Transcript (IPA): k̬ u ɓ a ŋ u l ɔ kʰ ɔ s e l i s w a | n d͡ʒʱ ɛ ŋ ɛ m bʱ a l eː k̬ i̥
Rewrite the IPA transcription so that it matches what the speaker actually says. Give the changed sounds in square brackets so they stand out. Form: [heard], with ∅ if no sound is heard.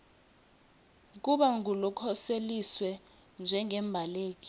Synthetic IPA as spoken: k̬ u ɓ a ŋ u l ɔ kʰ ɔ s e l i s w [ɛ] | n d͡ʒʱ ɛ ŋ ɛ m bʱ a l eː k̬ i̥